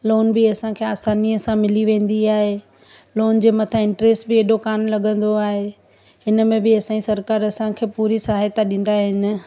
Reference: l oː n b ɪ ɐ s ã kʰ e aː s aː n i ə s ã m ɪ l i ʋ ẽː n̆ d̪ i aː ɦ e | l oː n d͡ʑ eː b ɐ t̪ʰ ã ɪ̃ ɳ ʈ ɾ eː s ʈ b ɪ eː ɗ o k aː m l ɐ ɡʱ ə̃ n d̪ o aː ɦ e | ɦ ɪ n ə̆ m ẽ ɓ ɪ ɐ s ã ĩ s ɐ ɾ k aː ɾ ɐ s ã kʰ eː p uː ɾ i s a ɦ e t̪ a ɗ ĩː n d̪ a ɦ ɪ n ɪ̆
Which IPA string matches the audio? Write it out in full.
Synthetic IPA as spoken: l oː n b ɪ ɐ s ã kʰ e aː s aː n i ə s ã m ɪ l i ʋ ẽː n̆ d̪ i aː ɦ e | l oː n d͡ʑ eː m ɐ t̪ʰ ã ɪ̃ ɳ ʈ ɾ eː s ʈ b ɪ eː ɗ o k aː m l ɐ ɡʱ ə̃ n d̪ o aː ɦ e | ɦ ɪ n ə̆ m ẽ b ɪ ɐ s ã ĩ s ɐ ɾ k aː ɾ ɐ s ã kʰ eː p uː ɾ i s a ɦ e t̪ a ɗ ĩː n d̪ a ɦ ɪ n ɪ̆